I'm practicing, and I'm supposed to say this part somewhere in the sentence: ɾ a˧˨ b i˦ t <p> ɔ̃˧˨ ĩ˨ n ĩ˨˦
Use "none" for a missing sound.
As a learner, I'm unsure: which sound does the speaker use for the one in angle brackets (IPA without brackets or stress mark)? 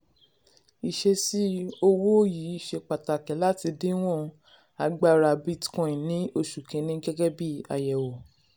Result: k